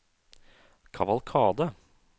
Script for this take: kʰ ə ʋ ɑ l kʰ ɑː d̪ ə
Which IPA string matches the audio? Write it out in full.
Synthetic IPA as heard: kʰ ɑ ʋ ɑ l kʰ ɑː d̪ ə